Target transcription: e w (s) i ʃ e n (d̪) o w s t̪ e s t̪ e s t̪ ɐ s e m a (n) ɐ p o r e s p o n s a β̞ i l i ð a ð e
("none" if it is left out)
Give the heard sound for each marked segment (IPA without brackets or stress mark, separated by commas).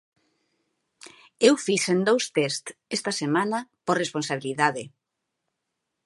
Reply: f, d̪, n